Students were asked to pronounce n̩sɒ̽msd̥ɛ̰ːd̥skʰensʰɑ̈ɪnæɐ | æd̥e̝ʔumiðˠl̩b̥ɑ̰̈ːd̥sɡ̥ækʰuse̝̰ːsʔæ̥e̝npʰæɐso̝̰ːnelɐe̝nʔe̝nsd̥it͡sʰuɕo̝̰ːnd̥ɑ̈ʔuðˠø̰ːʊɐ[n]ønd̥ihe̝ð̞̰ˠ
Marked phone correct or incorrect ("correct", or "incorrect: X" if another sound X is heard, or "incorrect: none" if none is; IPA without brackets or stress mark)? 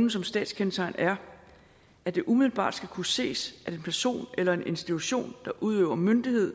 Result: incorrect: m